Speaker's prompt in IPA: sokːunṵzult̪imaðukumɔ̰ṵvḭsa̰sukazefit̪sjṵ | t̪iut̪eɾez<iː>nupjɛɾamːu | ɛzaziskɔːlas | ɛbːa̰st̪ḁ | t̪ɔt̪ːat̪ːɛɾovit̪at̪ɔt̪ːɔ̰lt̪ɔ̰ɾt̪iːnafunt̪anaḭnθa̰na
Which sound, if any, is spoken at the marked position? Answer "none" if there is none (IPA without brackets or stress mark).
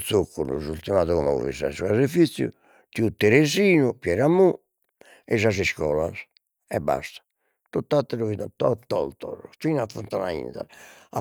iː